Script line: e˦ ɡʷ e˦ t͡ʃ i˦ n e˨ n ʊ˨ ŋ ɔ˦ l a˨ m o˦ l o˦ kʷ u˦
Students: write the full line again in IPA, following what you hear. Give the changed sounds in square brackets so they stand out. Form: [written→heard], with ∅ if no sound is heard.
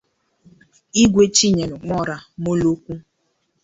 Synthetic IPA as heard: [e˦→i˦] ɡʷ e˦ t͡ʃ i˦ [n→ɲ] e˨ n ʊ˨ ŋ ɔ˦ [l→ɾ] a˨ m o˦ l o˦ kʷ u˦